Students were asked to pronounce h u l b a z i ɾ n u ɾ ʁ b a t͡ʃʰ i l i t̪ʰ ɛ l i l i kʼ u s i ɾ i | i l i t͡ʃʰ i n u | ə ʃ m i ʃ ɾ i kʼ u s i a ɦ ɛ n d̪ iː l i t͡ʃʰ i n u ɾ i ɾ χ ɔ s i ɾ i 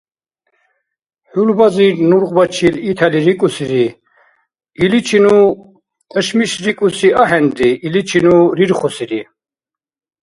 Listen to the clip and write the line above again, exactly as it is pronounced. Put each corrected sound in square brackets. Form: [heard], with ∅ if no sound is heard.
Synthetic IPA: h u l b a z i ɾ n u ɾ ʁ b a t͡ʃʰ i l i t̪ʰ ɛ l i [ɾ] i kʼ u s i ɾ i | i l i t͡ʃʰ i n u | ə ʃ m i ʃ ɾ i kʼ u s i a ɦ ɛ n d̪ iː l i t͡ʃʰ i n u ɾ i ɾ χ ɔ s i ɾ i